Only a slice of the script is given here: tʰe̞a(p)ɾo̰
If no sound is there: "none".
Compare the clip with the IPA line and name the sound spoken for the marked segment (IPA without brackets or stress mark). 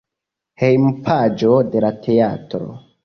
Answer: t